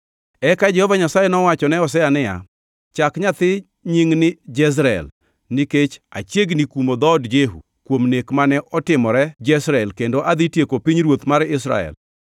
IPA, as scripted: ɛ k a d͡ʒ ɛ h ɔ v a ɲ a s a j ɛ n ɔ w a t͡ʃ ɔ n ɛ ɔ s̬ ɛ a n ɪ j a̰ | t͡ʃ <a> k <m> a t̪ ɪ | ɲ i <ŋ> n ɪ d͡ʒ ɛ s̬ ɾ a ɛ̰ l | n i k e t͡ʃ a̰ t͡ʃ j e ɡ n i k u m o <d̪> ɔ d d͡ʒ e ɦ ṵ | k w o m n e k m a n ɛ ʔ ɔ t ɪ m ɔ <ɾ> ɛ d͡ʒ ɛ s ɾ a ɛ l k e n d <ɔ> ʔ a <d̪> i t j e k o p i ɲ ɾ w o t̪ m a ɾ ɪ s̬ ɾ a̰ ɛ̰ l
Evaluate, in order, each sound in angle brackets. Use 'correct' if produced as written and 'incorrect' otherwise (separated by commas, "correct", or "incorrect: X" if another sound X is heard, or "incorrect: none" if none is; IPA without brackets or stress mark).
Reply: correct, incorrect: ɲ, correct, correct, correct, incorrect: o, correct